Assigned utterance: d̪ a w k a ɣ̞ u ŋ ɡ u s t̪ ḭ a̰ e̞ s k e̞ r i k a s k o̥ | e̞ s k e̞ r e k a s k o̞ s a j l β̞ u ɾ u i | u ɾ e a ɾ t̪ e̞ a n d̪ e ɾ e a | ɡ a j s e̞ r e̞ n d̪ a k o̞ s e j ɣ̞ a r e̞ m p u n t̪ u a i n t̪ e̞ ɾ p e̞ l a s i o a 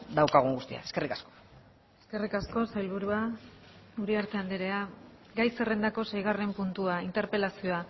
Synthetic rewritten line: d̪ a w k a ɣ̞ u ŋ ɡ u s t̪ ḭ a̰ e̞ s k e̞ r i k a s k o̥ | e̞ s k e̞ r i k a s k o̞ s a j l β̞ u ɾ u a | u ɾ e a ɾ t̪ e̞ a n d̪ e ɾ e a | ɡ a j s e̞ r e̞ n d̪ a k o̞ s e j ɣ̞ a r e̞ m p u n t̪ u a i n t̪ e̞ ɾ p e̞ l a s i o a